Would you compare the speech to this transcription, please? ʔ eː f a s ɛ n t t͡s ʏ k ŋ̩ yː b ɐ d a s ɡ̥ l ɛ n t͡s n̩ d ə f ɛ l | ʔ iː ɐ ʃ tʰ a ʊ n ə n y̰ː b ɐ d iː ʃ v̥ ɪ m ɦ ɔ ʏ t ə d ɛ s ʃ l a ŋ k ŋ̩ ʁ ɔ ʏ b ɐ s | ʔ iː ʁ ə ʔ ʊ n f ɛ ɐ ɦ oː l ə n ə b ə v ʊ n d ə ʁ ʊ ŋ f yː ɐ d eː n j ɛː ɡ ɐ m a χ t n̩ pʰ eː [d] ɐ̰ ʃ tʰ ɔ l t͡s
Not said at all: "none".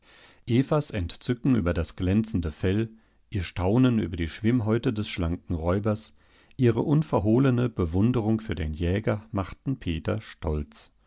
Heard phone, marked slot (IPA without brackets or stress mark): t